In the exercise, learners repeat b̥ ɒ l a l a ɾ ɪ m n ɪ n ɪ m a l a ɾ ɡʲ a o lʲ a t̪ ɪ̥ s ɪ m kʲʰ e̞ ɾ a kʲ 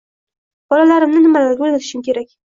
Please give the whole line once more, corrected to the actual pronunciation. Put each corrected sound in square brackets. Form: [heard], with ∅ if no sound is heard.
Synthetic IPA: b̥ ɒ l a l a ɾ ɪ m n ɪ n ɪ m a l a ɾ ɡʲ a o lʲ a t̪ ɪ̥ [ʃ] ɪ m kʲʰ e̞ ɾ a kʲ

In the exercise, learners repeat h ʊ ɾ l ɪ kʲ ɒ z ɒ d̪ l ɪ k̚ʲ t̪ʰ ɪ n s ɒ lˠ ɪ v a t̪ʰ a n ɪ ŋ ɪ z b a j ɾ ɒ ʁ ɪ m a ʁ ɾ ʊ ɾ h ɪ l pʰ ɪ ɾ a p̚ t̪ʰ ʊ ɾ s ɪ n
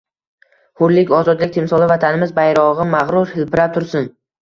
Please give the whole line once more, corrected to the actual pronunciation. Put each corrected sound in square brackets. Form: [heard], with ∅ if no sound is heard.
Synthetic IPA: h ʊ ɾ l ɪ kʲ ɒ z ɒ d̪ l ɪ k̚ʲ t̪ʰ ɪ [m] s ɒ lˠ ɪ v a t̪ʰ a n ɪ [m] ɪ z b a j ɾ ɒ ʁ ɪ m a ʁ ɾ ʊ ɾ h ɪ l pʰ ɪ ɾ a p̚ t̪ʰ ʊ ɾ s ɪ n

